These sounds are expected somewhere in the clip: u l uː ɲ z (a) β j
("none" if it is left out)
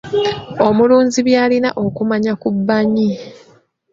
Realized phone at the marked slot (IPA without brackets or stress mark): i